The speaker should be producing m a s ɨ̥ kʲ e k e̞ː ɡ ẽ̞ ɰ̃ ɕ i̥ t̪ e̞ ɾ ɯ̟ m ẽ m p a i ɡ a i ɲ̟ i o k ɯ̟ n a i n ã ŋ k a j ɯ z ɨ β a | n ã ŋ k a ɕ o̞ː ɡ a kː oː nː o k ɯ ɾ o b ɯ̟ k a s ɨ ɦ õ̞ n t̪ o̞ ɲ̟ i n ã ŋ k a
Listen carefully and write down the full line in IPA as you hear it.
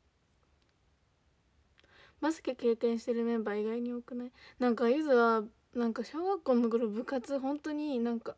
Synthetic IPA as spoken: m a s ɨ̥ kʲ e k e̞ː k ẽ̞ ɰ̃ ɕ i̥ t̪ e̞ ɾ ɯ̟ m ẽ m b a i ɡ a i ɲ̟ i o k ɯ̟ n a i n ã ŋ k a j ɯ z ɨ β a | n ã ŋ k a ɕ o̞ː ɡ a kː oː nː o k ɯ ɾ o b ɯ̟ k a t͡s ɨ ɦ õ̞ n t̪ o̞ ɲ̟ i n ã ŋ k a

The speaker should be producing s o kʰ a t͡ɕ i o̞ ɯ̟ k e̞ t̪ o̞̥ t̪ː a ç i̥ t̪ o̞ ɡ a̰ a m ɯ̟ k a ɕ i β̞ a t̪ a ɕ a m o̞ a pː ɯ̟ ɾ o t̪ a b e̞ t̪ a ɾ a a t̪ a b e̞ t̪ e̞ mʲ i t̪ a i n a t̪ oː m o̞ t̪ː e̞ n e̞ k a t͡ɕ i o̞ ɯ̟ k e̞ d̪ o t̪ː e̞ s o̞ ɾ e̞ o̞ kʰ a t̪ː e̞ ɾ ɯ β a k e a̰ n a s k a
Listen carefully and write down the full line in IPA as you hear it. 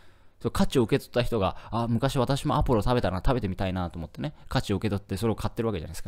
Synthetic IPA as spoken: s o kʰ a t͡ɕ i o̞ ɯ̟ k e̞ t̪ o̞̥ t̪ː a ç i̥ t̪ o̞ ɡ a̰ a m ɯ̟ k a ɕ i β̞ a t̪ a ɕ i m o̞ a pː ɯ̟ ɾ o t̪ a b e̞ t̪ a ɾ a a t̪ a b e̞ t̪ e̞ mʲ i t̪ a i n a t̪ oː m o̞ t̪ː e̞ n e̞ k a t͡ɕ i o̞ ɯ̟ k e̞ t̪ o t̪ː e̞ s o̞ ɾ e̞ o̞ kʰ a t̪ː e̞ ɾ ɯ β a k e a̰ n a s k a

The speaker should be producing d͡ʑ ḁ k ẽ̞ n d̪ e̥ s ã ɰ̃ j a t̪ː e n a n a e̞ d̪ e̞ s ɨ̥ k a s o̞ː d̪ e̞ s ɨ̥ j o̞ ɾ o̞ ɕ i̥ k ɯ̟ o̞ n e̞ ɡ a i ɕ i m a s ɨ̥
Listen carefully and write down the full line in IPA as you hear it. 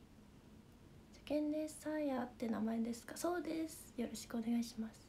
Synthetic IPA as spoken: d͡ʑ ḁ k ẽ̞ n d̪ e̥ s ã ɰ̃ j a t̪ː e n a m a e̞ d̪ e̞ s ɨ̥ k a s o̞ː d̪ e̞ s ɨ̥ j o̞ ɾ o̞ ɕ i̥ k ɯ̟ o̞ n e̞ ɡ a i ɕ i m a s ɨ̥

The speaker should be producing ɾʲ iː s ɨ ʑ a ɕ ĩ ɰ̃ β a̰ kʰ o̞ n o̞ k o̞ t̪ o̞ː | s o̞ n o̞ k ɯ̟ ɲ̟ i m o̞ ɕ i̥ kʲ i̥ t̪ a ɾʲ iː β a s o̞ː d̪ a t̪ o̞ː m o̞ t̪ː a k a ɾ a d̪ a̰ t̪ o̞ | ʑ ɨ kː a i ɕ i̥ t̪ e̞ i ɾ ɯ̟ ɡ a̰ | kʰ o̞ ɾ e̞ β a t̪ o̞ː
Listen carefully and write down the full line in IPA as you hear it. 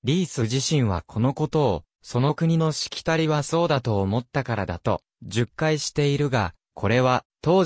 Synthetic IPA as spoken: ɾʲ iː s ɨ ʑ i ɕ ĩ ɰ̃ β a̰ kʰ o̞ n o̞ k o̞ t̪ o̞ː | s o̞ n o̞ k ɯ̟ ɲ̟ i n o̞ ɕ i̥ kʲ i̥ t̪ a ɾʲ i β a s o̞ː d̪ a t̪ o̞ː m o̞ t̪ː a k a ɾ a d̪ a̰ t̪ o̞ | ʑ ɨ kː a i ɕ i̥ t̪ e̞ i ɾ ɯ̟ ɡ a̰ | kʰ o̞ ɾ e̞ β a t̪ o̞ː

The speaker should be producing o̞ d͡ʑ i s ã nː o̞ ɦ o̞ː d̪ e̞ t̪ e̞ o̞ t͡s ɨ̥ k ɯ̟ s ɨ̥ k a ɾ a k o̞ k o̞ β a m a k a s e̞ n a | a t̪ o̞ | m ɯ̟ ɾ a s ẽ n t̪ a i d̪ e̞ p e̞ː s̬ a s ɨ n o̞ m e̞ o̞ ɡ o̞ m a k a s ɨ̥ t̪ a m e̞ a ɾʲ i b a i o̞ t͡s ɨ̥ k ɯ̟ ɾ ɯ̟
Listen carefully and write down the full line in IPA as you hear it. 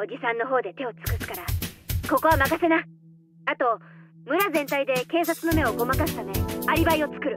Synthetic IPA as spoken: o̞ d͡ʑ i s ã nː o̞ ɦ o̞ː d̪ e̞ t̪ e̞ o̞ t͡s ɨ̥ k ɯ̟ s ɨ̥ k a ɾ a k o̞ k o̞ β a m a k a s e̞ n a | a t̪ o̞ | m ɯ̟ ɾ a z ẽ n t̪ a i d̪ e̞ k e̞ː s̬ a t͡s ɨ n o̞ m e̞ o̞ ɡ o̞ m a k a s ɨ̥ t̪ a m e̞ a ɾʲ i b a i o̞ t͡s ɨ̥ k ɯ̟ ɾ ɯ̟

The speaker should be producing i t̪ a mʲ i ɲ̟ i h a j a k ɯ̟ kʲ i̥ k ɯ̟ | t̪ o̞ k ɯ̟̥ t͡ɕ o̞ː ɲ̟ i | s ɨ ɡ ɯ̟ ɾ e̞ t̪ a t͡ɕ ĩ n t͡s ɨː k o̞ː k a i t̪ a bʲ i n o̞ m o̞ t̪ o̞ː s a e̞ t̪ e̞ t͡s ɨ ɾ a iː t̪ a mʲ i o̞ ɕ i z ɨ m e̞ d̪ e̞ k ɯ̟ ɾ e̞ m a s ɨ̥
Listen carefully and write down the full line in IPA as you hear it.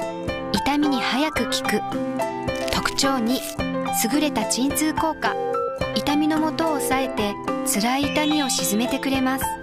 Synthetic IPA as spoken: i t̪ a mʲ i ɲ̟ i h a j a k ɯ̟ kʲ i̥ k ɯ̟ | t̪ o̞ k ɯ̟̥ t͡ɕ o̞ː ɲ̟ i | s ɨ ɡ ɯ̟ ɾ e̞ t̪ a t͡ɕ ĩ n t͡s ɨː k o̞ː k a i t̪ a mʲ i n o̞ m o̞ t̪ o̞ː s a e̞ t̪ e̞ t͡s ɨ ɾ a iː t̪ a mʲ i o̞ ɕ i z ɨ m e̞ t̪ e̞ k ɯ̟ ɾ e̞ m a s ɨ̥

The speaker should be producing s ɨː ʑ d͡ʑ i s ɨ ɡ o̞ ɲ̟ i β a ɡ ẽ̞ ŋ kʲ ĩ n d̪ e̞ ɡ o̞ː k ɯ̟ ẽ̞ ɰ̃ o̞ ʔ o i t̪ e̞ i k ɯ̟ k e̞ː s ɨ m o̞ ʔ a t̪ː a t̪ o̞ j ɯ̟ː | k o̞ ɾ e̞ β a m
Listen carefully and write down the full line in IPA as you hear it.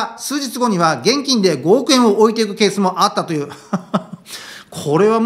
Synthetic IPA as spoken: s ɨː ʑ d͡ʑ i t͡s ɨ ɡ o̞ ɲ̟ i β a ɡ ẽ̞ ŋ kʲ ĩ n d̪ e̞ ɡ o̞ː k ɯ̟ ẽ̞ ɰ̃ o̞ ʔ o i t̪ e̞ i k ɯ̟ k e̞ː s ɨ m o̞ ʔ a t̪ː a t̪ o̞ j ɯ̟ː | kʰ o̞ ɾ e̞ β a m

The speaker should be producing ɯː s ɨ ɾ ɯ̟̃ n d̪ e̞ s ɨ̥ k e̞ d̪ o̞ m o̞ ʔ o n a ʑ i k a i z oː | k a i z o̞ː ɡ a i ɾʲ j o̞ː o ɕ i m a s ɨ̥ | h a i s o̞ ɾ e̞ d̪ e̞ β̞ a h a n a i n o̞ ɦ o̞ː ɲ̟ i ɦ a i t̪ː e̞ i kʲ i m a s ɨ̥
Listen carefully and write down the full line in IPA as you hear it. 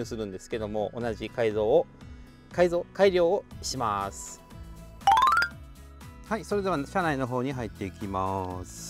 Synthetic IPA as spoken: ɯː s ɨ ɾ ɯ̟̃ n d̪ e̞ s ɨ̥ k e̞ d̪ o̞ m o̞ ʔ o n a ʑ i k a i z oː | k a i z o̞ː k a i ɾʲ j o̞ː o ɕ i m a s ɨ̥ | h a i s o̞ ɾ e̞ d̪ e̞ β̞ a ɕ a n a i n o̞ ɦ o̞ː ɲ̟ i ɦ a i t̪ː e̞ i kʲ i m a s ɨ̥

